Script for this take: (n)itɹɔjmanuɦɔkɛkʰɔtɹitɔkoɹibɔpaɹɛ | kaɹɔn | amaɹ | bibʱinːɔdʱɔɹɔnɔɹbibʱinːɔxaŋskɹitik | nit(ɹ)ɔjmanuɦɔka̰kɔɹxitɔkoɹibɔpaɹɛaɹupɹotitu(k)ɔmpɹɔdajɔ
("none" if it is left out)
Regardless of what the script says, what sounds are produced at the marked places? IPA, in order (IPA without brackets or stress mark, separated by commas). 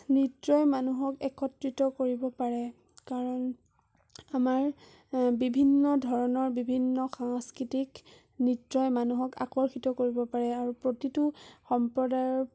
n, ɹ, x